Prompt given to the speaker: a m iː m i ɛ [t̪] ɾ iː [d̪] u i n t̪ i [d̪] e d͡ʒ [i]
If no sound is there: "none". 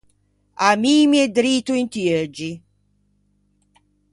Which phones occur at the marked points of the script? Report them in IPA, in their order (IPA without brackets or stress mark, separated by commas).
d̪, t̪, none, i